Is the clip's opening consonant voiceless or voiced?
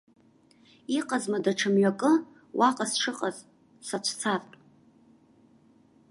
voiceless